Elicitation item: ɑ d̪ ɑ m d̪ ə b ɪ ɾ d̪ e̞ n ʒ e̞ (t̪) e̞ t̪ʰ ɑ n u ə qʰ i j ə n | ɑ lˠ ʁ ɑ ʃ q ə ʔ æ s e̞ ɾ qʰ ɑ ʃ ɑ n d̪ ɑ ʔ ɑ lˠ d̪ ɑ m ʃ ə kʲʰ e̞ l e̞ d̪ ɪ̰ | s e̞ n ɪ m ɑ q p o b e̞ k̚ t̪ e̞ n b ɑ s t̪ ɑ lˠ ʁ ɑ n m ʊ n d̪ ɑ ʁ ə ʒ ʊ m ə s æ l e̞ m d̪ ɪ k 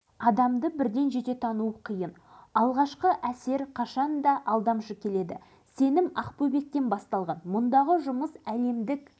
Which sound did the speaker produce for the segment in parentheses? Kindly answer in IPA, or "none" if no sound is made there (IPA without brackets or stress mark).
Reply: t̪